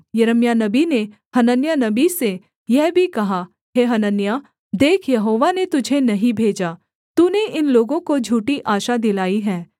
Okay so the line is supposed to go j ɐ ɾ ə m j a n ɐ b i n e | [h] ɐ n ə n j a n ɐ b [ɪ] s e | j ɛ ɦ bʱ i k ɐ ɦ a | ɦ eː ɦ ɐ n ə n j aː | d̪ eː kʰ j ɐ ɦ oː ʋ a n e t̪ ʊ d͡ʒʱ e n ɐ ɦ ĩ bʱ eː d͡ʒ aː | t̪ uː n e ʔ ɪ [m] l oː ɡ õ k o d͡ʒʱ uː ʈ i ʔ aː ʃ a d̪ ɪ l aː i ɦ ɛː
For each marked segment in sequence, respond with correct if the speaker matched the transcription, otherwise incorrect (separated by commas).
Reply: correct, incorrect, incorrect